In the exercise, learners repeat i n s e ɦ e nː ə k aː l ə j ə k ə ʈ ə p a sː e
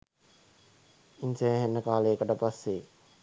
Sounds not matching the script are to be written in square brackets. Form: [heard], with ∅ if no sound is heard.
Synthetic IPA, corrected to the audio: i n s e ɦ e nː ə k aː l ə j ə k ə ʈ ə p a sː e